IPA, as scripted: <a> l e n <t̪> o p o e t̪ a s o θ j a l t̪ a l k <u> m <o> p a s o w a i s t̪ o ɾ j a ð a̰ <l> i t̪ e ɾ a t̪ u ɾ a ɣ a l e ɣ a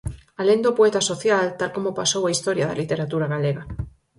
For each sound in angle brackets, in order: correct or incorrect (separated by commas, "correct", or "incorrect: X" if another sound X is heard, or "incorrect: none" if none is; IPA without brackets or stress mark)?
correct, incorrect: d̪, incorrect: o, correct, correct